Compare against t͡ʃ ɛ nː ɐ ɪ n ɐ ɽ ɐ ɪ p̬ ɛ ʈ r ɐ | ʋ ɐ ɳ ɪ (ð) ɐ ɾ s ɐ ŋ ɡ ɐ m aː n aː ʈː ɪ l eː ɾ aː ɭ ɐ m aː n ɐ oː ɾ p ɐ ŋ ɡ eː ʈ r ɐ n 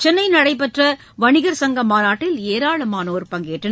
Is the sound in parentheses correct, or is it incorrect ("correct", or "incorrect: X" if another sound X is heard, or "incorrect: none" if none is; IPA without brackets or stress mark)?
incorrect: ɣ